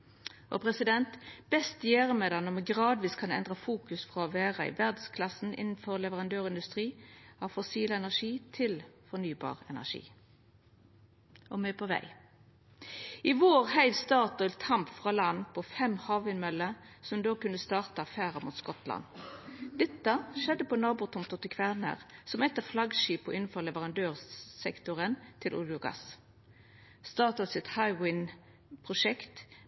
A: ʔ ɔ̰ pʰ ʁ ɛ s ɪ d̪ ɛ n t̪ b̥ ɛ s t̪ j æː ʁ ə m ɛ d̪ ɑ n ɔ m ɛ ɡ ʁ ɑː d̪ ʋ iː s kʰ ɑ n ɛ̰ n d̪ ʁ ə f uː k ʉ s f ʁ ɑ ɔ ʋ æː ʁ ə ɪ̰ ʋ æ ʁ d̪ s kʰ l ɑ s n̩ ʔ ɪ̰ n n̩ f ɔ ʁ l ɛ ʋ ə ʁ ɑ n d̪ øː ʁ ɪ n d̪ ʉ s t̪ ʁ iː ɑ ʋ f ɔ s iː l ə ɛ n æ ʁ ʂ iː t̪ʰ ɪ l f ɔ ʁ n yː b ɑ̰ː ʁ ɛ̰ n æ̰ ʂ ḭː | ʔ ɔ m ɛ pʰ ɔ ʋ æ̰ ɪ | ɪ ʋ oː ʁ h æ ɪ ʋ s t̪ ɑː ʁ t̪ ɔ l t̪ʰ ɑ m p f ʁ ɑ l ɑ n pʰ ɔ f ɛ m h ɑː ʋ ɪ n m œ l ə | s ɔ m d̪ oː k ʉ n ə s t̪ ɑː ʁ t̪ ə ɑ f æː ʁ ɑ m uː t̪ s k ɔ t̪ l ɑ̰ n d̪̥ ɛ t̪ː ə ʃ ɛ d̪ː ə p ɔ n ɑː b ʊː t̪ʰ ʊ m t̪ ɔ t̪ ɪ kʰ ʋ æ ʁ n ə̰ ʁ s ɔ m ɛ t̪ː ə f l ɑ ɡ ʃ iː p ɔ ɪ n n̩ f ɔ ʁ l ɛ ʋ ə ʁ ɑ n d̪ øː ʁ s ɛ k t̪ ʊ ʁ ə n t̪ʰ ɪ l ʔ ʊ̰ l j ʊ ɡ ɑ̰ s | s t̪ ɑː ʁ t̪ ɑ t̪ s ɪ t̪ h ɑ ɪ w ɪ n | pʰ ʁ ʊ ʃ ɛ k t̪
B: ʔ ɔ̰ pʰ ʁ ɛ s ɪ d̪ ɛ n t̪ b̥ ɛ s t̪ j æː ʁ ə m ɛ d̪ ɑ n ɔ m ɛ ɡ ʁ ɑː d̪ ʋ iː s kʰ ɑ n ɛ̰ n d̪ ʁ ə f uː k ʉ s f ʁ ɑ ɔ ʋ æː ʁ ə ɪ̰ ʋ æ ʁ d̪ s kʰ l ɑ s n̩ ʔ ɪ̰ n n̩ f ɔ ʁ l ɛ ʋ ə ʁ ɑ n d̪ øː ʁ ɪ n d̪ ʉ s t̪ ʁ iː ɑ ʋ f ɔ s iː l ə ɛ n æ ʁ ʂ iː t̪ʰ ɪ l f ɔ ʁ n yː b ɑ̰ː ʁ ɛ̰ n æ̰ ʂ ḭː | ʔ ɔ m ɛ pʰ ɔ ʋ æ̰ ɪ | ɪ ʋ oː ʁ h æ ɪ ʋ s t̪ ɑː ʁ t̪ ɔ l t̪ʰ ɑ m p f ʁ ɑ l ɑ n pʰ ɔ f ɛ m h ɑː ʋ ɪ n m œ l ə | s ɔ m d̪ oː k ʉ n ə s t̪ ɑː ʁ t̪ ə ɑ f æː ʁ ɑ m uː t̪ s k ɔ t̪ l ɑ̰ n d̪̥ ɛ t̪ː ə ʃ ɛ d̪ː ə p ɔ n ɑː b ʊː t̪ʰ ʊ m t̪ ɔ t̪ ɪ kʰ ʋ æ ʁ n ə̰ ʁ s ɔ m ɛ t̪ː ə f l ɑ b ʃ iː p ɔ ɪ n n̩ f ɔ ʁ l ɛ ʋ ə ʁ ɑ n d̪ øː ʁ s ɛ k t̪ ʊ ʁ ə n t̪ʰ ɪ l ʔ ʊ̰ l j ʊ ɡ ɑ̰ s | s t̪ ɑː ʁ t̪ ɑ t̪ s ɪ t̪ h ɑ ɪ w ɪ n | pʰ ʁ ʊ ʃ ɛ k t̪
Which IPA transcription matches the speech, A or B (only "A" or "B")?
A